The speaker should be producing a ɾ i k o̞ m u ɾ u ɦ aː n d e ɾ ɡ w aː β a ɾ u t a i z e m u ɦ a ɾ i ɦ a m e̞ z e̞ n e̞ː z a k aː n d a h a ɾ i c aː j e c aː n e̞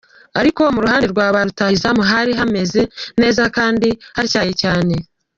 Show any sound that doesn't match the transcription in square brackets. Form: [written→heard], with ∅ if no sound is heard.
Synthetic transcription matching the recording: a ɾ i k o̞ m u ɾ u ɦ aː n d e ɾ ɡ w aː β a ɾ u t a i z [e→a] m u ɦ a ɾ i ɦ a m e̞ z e̞ n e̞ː z a k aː n d [a→i] h a ɾ i c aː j e c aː n e̞